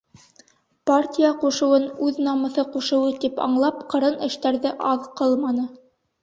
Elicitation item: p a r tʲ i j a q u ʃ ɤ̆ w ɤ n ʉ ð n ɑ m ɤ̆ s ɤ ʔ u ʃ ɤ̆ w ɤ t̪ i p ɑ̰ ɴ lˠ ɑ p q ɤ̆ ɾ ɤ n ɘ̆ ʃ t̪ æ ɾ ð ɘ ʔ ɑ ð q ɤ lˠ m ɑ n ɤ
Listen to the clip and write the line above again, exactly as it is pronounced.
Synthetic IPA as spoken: p a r tʲ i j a q u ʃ ɤ̆ w ɤ n ʉ ð n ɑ m ɤ̆ θ ɤ q u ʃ ɤ̆ w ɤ t̪ i p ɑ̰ ɴ lˠ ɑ p q ɤ̆ ɾ ɤ n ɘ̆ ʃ t̪ æ ɾ ð ɘ ʔ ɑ ð q ɤ lˠ m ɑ n ɤ